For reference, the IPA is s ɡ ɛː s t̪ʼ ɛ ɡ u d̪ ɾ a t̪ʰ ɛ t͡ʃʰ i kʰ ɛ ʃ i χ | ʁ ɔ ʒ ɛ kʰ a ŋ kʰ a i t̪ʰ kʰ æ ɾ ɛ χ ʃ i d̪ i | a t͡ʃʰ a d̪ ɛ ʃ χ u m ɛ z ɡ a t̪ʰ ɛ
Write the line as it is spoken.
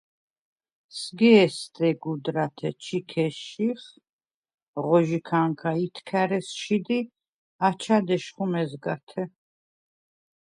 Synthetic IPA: s ɡ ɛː s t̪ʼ ɛ ɡ u d̪ ɾ a t̪ʰ ɛ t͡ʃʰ i kʰ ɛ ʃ i χ | ʁ ɔ ʒ i kʰ a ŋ kʰ a i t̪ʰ kʰ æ ɾ ɛ s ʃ i d̪ i | a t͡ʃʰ a d̪ ɛ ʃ χ u m ɛ z ɡ a t̪ʰ ɛ